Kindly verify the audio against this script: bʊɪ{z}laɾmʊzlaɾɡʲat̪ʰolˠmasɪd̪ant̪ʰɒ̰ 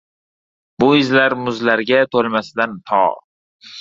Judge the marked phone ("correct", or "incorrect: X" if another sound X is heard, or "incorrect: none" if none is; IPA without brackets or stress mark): correct